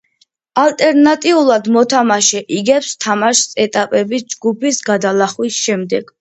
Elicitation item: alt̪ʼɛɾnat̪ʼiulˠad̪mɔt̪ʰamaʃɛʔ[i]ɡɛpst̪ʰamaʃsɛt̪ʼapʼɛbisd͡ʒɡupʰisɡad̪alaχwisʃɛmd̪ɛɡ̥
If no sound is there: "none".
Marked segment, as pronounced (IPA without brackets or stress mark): i